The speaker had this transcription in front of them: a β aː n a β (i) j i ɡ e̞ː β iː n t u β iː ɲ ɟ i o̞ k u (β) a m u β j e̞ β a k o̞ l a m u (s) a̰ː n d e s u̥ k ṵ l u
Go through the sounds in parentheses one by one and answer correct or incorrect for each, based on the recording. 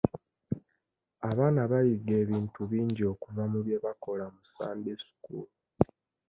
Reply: incorrect: a, incorrect: v, correct

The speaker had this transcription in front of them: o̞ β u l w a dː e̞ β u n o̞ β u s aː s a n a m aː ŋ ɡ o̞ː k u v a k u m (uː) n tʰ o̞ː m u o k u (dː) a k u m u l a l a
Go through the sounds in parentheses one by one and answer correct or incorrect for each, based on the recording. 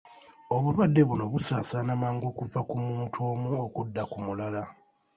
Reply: correct, correct

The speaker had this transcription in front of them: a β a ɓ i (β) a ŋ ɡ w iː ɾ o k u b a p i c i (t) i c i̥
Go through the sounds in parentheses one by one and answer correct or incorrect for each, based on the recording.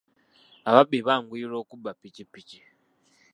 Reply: correct, incorrect: p

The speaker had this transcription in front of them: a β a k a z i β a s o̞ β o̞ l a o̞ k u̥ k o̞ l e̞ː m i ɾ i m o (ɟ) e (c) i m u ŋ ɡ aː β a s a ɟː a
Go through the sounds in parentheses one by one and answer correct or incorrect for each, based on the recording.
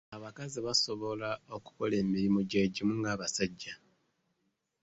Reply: correct, incorrect: ɟ

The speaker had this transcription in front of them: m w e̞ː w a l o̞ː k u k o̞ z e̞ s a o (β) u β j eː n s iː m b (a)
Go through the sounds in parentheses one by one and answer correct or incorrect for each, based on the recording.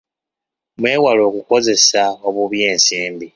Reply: correct, incorrect: i

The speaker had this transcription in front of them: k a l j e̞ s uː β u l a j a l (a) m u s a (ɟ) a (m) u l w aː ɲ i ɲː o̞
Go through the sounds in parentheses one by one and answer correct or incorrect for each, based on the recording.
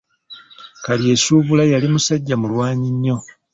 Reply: incorrect: i, incorrect: ɟː, correct

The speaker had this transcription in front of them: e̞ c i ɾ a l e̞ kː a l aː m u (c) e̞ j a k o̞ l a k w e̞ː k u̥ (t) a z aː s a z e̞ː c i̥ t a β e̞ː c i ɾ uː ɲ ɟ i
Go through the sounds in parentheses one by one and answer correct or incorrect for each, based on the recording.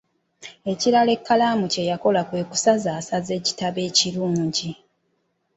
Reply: correct, incorrect: s

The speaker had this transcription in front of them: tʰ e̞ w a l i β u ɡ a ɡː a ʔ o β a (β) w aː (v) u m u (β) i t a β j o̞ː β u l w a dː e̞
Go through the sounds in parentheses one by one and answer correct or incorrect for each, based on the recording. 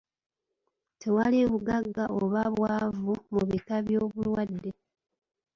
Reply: correct, correct, correct

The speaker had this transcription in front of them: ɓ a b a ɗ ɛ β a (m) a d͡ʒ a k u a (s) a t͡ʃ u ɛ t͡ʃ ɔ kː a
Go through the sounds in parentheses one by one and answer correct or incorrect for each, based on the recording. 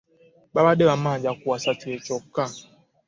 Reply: correct, correct

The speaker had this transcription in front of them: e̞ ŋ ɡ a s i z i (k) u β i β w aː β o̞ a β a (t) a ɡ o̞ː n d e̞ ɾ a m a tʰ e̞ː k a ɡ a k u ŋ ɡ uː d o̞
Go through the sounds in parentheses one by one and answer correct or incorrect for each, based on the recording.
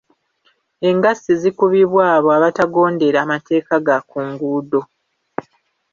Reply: correct, correct

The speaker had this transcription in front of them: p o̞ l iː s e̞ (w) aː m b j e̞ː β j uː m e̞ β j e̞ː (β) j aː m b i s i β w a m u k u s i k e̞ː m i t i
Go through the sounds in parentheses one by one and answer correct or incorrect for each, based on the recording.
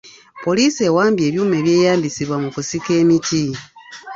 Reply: correct, incorrect: none

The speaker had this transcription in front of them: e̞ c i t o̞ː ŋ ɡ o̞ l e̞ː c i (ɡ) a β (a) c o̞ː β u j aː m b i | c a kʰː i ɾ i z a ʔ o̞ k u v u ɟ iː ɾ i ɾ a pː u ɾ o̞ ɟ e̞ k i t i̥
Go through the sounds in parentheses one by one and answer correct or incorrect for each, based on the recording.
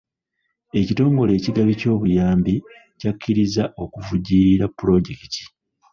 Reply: correct, incorrect: i

